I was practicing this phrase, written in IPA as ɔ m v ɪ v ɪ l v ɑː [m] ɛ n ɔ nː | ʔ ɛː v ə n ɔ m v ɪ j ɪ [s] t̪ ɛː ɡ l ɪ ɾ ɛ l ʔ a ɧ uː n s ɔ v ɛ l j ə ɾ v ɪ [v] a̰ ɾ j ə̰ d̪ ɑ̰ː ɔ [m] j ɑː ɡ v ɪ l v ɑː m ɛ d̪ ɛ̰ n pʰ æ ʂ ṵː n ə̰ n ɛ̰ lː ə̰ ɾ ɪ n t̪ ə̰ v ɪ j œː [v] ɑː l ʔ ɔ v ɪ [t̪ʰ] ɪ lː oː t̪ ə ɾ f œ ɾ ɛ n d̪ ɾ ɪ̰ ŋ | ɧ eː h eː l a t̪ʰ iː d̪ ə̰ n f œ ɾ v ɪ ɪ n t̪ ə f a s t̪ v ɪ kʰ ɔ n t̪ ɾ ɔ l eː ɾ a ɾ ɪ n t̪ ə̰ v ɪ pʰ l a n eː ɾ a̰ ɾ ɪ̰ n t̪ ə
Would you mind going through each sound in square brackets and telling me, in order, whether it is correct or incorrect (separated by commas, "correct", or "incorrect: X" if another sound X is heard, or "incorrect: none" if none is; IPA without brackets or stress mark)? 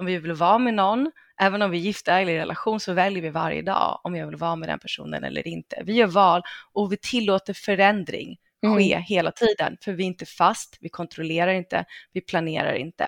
correct, incorrect: f, correct, correct, correct, correct